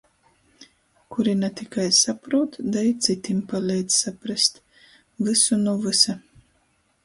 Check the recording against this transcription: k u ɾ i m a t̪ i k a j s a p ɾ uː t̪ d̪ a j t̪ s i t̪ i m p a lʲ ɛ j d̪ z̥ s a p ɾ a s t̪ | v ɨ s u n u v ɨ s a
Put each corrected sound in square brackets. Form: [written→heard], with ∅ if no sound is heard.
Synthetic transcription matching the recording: k u ɾ i [m→n] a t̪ i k a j s a p ɾ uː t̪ d̪ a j t̪ s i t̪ i m p a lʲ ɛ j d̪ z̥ s a p ɾ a s t̪ | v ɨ s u n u v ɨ s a